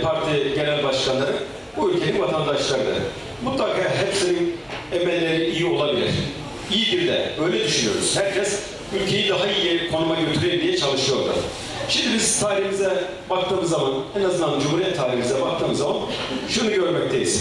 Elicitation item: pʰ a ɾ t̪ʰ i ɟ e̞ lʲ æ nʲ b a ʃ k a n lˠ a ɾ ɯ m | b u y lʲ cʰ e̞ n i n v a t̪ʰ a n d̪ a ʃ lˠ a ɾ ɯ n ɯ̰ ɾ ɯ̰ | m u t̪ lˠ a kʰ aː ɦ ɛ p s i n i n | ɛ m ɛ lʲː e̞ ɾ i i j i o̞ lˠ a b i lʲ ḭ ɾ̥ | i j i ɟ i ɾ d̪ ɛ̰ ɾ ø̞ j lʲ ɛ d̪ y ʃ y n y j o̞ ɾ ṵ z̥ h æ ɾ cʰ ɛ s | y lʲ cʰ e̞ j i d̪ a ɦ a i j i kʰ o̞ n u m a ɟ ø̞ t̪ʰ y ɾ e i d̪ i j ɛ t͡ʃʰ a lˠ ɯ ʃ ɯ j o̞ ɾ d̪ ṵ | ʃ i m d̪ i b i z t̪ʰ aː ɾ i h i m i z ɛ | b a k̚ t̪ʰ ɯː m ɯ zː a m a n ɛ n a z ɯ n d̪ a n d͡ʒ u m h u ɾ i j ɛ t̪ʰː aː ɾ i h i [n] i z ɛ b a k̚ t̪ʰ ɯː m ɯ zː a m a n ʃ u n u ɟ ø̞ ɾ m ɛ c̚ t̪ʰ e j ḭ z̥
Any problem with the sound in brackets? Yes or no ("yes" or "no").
yes